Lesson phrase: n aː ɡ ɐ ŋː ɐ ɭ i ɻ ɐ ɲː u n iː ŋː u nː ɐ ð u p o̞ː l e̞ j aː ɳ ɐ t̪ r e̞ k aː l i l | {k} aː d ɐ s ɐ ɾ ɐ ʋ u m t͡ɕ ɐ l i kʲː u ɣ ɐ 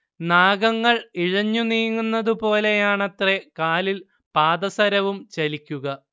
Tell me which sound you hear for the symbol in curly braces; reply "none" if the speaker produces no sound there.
p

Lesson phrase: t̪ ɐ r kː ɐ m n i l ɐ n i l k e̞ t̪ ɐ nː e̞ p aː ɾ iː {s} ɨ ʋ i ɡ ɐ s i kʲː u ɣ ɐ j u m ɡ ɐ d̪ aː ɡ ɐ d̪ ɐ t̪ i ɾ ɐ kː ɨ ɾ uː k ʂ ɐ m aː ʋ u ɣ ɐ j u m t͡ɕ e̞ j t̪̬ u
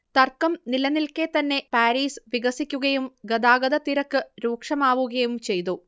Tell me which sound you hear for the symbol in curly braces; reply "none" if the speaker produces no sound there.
s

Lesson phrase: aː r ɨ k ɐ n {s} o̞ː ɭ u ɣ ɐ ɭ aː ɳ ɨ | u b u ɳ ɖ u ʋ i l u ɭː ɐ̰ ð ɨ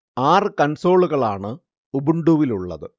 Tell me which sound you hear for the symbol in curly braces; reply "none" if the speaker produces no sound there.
s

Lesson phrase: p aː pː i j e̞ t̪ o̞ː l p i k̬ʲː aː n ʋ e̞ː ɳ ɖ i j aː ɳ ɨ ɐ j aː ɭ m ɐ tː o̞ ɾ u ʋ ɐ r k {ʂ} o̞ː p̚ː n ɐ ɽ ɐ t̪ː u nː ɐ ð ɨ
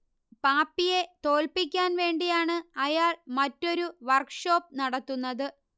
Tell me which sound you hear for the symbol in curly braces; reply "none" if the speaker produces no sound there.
ʂ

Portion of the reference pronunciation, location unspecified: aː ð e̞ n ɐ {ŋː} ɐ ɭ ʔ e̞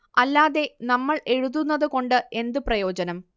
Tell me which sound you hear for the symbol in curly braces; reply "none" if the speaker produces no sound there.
mː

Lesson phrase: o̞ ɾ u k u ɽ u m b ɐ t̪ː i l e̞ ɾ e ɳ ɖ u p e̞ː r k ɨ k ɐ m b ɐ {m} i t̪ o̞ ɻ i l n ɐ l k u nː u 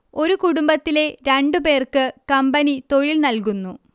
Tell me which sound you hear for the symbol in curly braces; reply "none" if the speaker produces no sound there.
n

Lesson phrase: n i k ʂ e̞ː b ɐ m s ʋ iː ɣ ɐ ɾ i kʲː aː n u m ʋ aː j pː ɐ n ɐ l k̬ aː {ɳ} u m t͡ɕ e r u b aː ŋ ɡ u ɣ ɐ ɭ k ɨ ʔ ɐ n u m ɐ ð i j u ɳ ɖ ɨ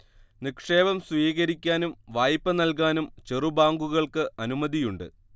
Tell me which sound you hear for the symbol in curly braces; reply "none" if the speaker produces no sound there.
n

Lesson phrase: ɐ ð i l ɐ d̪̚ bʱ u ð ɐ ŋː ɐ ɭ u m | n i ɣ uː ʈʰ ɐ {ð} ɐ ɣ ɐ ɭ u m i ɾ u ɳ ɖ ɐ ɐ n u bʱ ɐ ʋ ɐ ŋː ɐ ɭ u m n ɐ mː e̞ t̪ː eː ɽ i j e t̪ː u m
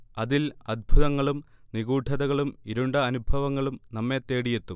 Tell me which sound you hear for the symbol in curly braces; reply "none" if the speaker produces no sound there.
ð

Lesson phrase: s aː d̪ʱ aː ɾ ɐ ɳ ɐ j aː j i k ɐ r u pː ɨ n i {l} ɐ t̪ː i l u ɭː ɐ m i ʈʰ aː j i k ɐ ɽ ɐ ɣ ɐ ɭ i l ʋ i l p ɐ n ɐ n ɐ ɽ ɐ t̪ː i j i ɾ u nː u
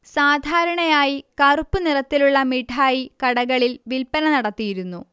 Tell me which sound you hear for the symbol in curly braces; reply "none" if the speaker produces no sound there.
r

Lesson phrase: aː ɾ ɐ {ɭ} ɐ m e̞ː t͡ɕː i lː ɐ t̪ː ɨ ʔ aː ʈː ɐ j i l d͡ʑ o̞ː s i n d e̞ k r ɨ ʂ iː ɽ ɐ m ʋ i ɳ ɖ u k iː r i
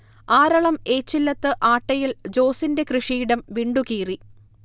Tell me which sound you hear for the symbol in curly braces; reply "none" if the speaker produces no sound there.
ɭ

